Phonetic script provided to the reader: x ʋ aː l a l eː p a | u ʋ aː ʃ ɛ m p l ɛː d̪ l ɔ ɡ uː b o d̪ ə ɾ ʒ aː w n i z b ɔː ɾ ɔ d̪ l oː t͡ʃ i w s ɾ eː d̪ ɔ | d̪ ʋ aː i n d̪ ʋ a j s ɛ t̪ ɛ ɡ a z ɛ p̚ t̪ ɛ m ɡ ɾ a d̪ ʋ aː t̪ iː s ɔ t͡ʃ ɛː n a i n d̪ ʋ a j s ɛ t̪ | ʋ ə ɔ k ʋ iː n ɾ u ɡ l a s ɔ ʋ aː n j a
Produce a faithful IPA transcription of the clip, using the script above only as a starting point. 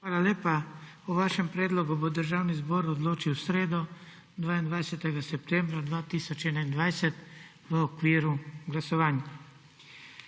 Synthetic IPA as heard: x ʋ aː l a l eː p a | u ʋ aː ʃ ɛ m p ɾ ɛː d̪ l ɔ ɡ u b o d̪ ə ɾ ʒ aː w n i z b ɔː ɾ ɔ d̪ l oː t͡ʃ i w s ɾ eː d̪ ɔ | d̪ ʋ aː i n d̪ ʋ a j s ɛ t̪ ɛ ɡ a s ɛ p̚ t̪ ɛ m b ɾ a d̪ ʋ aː t̪ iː s ɔ t͡ʃ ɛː n a i n d̪ ʋ a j s ɛ t̪ | ʋ ə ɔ k ʋ iː ɾ u ɡ l a s ɔ ʋ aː n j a